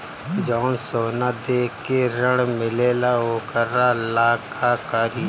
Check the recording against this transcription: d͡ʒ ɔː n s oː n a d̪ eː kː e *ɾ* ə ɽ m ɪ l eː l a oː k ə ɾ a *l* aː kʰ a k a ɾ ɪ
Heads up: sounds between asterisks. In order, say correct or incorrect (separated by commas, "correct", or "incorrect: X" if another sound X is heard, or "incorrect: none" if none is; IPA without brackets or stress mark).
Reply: correct, correct